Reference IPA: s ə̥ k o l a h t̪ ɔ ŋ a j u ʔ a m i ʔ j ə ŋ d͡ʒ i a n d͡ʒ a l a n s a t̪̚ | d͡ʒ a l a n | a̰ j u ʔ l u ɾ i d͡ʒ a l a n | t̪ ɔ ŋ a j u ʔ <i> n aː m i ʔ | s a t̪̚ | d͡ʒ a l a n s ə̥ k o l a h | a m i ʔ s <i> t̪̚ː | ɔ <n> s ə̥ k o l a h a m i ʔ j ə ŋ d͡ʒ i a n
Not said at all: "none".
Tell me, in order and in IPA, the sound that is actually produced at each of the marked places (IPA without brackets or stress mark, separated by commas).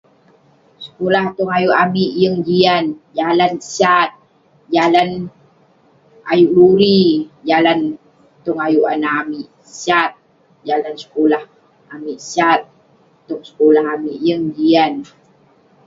a, a, ŋ